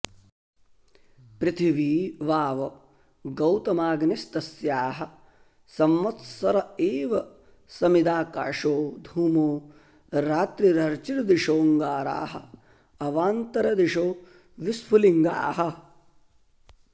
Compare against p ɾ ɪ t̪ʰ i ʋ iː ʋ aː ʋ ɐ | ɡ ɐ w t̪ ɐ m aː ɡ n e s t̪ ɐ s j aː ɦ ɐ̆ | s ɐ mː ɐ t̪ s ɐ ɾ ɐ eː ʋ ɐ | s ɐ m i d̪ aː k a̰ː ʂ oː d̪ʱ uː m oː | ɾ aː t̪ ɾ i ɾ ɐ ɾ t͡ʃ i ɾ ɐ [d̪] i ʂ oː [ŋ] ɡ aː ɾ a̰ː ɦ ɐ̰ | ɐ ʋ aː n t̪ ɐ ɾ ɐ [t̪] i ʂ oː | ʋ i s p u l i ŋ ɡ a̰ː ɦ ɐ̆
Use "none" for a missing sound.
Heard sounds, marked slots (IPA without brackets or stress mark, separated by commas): d̪, ŋ, d̪